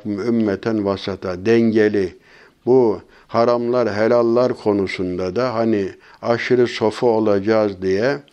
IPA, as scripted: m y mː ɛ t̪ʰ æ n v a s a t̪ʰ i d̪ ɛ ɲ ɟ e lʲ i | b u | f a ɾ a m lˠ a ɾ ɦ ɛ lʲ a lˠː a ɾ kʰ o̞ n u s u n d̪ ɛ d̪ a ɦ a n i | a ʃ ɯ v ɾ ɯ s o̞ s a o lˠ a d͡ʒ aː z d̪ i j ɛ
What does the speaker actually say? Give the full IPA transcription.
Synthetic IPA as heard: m y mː ɛ t̪ʰ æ n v a s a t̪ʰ a d̪ ɛ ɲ ɟ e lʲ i | b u | h a ɾ a m lˠ a ɾ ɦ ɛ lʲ a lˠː a ɾ kʰ o̞ n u s u n d̪ a d̪ a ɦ a n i | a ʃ ɯ ɾ ɯ s o̞ f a o lˠ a d͡ʒ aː z d̪ i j ɛ